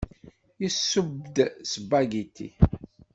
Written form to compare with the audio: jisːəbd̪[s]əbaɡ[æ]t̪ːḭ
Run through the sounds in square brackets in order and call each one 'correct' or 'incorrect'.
correct, incorrect

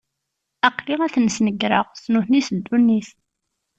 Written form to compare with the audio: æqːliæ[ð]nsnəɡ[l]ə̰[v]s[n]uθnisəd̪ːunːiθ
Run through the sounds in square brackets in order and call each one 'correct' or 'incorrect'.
incorrect, incorrect, incorrect, correct

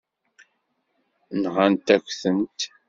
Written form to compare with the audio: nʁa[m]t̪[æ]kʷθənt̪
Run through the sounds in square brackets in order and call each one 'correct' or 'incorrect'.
incorrect, correct

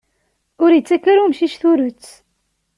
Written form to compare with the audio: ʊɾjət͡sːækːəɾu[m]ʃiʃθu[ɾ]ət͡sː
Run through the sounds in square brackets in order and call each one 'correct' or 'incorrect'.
correct, correct

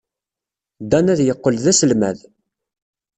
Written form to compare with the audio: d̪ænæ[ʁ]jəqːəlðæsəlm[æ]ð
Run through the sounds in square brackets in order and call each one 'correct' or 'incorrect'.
incorrect, correct

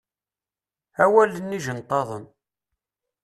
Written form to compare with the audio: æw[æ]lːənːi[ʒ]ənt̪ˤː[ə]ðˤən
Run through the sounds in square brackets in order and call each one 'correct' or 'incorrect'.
correct, correct, incorrect

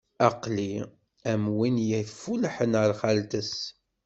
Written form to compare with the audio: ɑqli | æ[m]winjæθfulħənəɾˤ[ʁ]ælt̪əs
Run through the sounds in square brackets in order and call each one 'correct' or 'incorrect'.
correct, incorrect

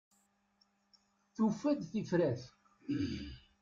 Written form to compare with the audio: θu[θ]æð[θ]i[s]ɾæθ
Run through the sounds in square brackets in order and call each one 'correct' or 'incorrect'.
incorrect, correct, incorrect

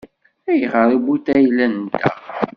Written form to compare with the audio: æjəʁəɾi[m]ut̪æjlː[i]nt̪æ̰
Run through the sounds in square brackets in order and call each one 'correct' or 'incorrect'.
incorrect, incorrect

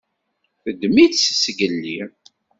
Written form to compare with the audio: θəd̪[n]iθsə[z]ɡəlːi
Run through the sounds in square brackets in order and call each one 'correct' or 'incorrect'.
incorrect, incorrect

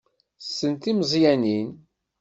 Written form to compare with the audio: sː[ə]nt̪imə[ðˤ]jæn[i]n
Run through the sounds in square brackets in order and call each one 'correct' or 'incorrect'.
correct, incorrect, correct

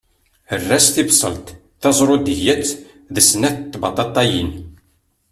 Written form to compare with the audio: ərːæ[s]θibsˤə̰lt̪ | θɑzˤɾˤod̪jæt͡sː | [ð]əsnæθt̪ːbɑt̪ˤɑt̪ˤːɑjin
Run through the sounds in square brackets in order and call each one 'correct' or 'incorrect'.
correct, correct

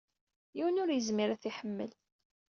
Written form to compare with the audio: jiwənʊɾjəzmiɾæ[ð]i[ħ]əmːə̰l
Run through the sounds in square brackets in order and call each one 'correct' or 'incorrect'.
incorrect, correct

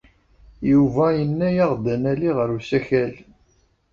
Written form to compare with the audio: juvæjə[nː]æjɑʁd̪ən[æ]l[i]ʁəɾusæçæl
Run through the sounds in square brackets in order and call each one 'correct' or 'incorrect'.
correct, correct, correct

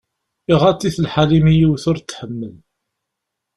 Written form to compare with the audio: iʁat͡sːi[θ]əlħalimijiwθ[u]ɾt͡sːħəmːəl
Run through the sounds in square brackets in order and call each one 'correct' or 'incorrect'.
correct, incorrect

